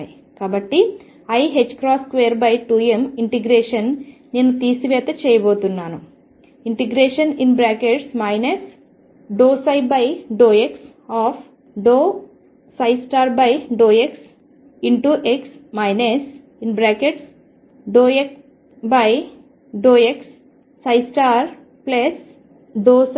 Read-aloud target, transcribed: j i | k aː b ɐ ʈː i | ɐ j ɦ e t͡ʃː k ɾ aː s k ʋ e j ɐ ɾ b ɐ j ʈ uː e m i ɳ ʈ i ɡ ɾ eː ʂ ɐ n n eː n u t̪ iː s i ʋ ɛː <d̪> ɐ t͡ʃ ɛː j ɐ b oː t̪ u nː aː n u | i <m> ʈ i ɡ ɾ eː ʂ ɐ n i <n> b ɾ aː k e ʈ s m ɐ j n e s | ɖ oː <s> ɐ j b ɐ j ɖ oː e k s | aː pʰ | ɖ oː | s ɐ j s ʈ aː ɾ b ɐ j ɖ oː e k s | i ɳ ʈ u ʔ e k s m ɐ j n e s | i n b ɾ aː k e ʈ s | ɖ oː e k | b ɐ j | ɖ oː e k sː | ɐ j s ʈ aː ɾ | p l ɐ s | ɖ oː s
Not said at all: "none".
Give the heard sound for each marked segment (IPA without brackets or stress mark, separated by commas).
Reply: t̪, ɳ, n, s